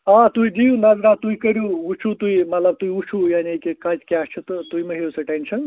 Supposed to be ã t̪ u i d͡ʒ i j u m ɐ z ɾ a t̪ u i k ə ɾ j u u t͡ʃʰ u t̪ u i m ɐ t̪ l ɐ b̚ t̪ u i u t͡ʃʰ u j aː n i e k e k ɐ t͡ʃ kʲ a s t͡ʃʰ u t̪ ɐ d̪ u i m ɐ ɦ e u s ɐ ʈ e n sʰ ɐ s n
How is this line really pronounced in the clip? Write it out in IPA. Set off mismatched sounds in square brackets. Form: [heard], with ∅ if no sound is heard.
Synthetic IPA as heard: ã t̪ u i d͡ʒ i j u [n] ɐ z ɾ a t̪ u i k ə ɾ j u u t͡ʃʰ u t̪ u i m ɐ t̪ l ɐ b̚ t̪ u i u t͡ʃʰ u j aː n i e k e k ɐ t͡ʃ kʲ a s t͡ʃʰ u t̪ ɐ [t̪] u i m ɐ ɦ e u s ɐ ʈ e n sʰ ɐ [∅] n